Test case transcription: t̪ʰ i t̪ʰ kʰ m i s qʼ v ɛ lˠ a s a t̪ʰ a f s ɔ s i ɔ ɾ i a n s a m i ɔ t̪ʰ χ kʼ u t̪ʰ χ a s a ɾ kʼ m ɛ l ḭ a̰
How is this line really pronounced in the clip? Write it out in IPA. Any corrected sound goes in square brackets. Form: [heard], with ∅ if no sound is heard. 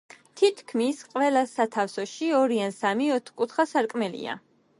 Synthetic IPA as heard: t̪ʰ i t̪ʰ kʰ m i s qʼ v ɛ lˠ a s a t̪ʰ a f s ɔ [ʃ] i ɔ ɾ i a n s a m i ɔ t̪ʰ χ kʼ u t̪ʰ χ a s a ɾ kʼ m ɛ l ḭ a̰